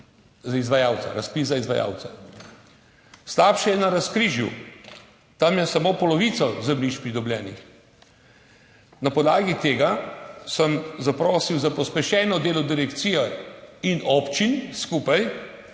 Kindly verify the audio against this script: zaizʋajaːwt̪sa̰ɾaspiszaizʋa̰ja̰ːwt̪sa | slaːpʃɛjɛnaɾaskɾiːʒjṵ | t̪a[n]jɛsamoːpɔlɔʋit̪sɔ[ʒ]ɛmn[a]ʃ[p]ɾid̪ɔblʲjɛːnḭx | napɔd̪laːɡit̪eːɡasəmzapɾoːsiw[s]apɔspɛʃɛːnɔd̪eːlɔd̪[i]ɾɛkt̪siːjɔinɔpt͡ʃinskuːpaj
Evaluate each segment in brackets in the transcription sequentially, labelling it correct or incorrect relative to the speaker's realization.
incorrect, incorrect, incorrect, correct, incorrect, correct

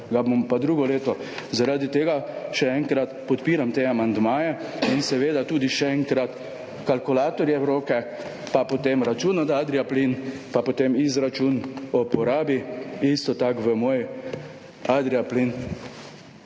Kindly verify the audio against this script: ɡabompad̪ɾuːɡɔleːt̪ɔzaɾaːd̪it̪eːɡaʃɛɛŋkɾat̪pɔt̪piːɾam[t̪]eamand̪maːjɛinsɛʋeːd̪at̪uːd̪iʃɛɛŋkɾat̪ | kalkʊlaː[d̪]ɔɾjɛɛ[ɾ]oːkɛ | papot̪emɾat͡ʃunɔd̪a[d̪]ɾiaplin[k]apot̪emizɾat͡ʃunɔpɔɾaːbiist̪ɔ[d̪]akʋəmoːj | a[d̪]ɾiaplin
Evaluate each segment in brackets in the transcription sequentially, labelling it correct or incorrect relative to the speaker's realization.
correct, incorrect, correct, correct, incorrect, incorrect, correct

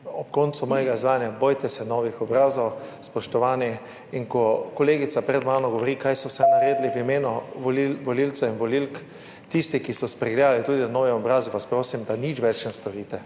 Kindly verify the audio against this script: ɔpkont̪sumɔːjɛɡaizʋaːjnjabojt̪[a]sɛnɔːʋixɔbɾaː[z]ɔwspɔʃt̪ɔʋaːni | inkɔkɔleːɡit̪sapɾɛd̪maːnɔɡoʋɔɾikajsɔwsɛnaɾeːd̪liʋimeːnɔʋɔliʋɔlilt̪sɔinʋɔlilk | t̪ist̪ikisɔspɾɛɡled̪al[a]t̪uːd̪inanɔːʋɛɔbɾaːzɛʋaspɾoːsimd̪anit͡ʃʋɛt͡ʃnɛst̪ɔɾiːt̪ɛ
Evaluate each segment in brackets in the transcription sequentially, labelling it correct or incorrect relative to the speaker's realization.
incorrect, correct, incorrect

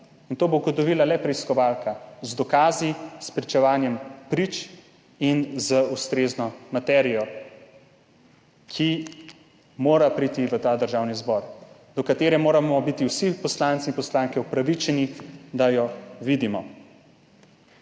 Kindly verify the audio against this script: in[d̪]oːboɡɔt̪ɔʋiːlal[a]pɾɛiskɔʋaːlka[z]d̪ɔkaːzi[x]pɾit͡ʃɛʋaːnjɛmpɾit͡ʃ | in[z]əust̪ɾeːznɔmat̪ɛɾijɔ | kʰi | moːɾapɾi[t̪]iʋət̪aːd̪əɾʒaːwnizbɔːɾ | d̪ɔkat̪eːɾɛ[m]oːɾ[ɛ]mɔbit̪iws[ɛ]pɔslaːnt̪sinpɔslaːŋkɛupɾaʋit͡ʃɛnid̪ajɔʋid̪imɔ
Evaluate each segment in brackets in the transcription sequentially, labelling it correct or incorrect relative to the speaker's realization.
incorrect, incorrect, correct, incorrect, correct, correct, correct, incorrect, incorrect

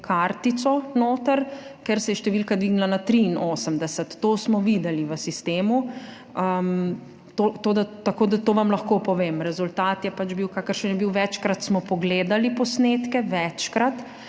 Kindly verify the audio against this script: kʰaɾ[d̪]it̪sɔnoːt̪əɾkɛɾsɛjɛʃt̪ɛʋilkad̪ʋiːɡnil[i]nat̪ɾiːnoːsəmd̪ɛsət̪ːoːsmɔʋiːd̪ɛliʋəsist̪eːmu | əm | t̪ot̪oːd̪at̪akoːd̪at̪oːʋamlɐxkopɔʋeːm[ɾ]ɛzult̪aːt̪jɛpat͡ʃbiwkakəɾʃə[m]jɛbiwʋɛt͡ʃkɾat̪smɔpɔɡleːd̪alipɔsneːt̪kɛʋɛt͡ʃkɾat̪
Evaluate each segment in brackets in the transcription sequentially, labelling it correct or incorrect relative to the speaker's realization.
incorrect, incorrect, correct, incorrect

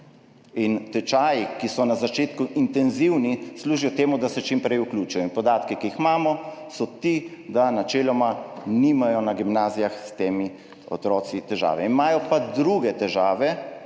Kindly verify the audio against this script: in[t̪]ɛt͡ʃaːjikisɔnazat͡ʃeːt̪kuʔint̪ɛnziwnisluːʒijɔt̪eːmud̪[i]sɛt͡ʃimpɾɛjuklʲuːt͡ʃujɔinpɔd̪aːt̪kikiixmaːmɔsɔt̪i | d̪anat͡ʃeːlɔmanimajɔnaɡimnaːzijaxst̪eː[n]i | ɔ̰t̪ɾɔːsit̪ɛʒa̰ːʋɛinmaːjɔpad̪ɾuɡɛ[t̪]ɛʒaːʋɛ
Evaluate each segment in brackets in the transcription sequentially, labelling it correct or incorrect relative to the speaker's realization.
correct, incorrect, incorrect, correct

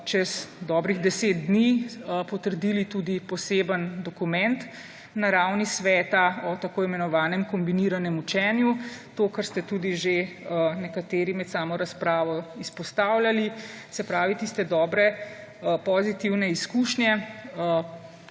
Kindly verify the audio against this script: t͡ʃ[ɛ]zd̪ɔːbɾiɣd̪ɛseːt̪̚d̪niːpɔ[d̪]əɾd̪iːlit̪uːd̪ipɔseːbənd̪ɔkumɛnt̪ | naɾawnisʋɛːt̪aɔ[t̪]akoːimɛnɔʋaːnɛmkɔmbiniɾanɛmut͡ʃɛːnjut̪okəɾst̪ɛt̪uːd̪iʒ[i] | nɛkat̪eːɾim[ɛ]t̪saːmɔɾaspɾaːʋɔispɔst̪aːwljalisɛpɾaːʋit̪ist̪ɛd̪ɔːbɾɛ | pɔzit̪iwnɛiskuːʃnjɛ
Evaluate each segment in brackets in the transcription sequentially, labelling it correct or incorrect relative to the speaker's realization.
correct, incorrect, correct, incorrect, correct

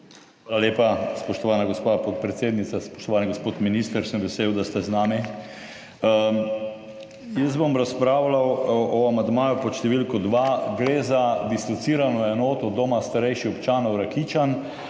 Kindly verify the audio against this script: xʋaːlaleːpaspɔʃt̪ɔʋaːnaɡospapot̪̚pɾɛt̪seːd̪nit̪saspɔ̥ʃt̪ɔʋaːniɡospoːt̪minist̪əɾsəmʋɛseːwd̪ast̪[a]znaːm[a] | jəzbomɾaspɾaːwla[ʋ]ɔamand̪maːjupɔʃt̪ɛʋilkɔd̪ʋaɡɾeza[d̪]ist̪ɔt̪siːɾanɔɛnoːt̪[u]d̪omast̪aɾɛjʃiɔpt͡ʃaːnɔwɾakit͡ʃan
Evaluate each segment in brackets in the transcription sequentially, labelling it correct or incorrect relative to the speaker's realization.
incorrect, incorrect, incorrect, correct, incorrect

